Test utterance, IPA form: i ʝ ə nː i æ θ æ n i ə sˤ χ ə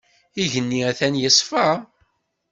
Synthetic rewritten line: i ʝ ə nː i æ θ æ n j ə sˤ f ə